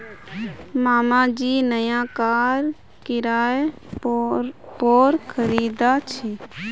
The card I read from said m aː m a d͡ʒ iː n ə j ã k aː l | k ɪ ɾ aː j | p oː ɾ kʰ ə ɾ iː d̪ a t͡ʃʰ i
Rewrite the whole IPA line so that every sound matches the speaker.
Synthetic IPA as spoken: m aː m a d͡ʒ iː n ə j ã k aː ɾ | k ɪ ɾ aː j | p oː ɾ kʰ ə ɾ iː d̪ a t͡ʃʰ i